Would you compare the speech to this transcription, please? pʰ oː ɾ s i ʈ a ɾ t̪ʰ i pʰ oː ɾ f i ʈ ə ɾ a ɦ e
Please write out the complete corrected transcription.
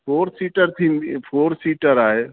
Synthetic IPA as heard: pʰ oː ɾ s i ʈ ə ɾ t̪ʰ i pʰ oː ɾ s i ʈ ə ɾ a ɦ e